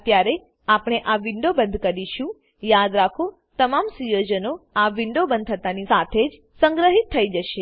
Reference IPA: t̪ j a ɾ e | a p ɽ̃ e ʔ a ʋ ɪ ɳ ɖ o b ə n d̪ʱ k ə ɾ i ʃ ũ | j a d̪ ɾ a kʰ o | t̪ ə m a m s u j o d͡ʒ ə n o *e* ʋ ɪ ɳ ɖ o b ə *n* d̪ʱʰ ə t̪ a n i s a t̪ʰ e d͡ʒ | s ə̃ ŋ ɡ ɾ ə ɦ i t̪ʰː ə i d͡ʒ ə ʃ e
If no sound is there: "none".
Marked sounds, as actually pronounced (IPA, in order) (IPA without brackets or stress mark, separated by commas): a, n